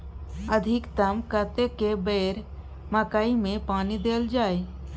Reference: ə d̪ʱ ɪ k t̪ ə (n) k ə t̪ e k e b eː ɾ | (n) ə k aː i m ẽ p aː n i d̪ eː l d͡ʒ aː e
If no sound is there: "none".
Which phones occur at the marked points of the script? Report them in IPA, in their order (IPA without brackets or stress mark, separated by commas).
m, m